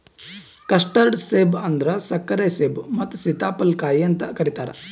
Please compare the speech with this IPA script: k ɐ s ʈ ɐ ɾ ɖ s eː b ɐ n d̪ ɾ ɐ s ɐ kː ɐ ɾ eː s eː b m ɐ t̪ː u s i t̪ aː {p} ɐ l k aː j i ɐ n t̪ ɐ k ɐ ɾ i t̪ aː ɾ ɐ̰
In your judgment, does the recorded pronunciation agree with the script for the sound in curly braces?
yes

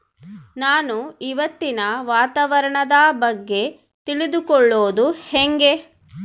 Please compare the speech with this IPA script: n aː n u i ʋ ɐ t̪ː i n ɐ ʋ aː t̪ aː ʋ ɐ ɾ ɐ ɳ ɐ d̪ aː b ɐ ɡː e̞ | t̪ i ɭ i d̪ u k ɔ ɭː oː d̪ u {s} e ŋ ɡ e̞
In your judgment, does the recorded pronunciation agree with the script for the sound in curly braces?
no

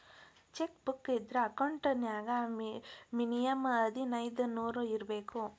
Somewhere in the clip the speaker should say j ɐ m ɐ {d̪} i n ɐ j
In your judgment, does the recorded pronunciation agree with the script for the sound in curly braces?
yes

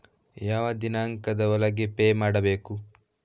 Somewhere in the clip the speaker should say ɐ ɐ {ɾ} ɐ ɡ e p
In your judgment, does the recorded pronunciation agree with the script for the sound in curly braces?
no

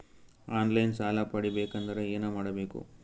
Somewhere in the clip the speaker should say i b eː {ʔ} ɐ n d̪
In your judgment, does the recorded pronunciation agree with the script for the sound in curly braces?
no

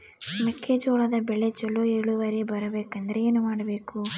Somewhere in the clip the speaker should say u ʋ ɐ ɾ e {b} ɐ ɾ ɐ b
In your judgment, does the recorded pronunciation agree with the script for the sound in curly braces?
yes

